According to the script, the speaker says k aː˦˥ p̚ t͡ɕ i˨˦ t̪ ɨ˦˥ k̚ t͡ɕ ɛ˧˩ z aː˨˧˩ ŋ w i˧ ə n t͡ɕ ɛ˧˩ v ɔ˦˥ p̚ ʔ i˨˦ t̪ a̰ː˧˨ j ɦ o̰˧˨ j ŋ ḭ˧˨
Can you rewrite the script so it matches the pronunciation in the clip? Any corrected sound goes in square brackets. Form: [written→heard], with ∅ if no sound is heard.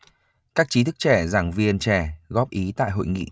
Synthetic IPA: k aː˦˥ [p̚→k̚] t͡ɕ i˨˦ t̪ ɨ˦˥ k̚ t͡ɕ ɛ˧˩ z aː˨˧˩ ŋ [w→v] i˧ ə n t͡ɕ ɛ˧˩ [v→ɣ] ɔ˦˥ p̚ ʔ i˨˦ t̪ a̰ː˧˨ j ɦ o̰˧˨ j ŋ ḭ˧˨